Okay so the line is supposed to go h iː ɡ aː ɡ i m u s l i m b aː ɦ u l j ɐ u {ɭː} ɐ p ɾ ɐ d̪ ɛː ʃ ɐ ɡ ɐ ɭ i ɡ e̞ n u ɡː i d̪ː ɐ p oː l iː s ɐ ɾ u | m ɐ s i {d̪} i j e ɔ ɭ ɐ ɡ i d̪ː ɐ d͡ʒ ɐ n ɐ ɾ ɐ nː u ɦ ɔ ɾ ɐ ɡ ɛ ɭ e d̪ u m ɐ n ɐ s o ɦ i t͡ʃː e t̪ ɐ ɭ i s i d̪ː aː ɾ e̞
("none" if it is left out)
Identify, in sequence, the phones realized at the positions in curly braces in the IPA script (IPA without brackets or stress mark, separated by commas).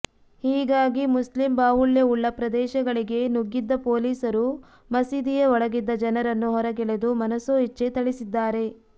ɭː, d̪